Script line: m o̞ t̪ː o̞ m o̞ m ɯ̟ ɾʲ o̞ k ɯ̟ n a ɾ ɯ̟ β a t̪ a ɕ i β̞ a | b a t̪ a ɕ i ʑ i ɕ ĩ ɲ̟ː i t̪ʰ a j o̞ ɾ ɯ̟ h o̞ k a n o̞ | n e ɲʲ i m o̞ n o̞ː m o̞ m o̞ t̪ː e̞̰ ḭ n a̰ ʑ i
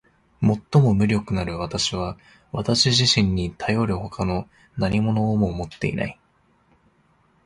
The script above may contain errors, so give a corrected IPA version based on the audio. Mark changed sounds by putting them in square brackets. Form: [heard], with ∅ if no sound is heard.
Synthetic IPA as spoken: m o̞ t̪ː o̞ m o̞ m ɯ̟ ɾʲ o̞ k ɯ̟ n a ɾ ɯ̟ β a t̪ a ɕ i β̞ a | [β] a t̪ a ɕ i ʑ i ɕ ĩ ɲ̟ː i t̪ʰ a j o̞ ɾ ɯ̟ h o̞ k a n o̞ | n [a] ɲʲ i m o̞ n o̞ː m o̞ m o̞ t̪ː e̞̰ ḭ n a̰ [∅] i